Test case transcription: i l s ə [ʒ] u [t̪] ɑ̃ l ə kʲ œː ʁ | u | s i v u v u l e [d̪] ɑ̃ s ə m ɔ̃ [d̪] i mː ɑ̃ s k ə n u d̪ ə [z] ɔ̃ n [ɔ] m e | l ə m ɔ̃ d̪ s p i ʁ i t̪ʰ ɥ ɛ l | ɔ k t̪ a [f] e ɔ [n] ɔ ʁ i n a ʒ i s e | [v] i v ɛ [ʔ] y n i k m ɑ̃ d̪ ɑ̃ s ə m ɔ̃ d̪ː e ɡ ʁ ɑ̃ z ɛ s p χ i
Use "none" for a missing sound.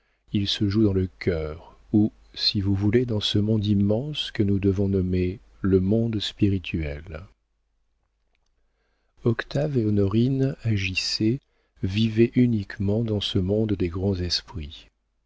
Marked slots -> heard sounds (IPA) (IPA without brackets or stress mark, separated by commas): ʒ, d̪, d̪, d̪, v, ɔ, v, n, v, ʔ